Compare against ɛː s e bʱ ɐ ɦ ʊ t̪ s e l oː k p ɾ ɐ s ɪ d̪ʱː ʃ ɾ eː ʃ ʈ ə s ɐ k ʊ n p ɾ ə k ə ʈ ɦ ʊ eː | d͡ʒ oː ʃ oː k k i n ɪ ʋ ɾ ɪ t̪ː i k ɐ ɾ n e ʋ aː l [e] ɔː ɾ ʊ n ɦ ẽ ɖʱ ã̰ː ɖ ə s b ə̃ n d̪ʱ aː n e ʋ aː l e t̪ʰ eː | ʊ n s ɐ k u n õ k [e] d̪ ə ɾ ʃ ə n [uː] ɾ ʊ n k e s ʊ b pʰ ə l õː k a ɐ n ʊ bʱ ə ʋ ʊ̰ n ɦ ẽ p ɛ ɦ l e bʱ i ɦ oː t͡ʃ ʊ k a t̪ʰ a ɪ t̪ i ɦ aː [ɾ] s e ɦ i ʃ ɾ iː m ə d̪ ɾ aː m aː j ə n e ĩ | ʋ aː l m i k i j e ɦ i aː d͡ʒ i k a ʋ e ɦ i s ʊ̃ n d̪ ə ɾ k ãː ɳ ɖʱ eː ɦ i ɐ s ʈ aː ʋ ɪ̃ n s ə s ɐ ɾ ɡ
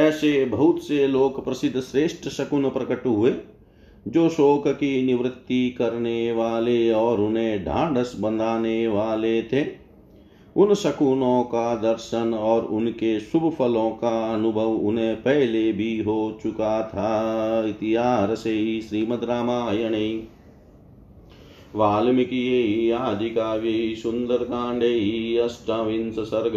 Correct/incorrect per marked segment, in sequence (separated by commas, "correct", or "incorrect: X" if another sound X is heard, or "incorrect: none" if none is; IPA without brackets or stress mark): correct, incorrect: a, incorrect: ɔː, correct